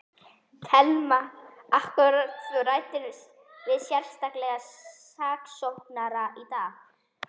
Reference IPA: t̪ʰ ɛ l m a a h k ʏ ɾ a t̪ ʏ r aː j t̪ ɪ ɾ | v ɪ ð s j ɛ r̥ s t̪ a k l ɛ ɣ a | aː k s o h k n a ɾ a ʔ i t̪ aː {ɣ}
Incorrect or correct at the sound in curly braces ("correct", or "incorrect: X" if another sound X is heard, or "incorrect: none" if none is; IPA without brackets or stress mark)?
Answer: correct